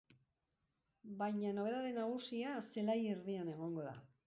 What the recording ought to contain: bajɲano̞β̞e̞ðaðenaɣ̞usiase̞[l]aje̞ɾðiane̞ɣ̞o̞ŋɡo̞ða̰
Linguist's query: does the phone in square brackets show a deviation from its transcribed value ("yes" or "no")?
no